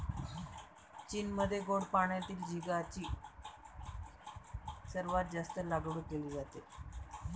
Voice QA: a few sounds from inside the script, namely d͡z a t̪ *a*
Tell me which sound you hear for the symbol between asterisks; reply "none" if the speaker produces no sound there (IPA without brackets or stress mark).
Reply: e